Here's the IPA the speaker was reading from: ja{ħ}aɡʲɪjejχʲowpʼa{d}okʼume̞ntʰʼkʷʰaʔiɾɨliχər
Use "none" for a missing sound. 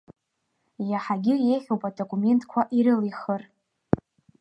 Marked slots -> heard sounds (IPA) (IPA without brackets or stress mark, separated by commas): ħ, d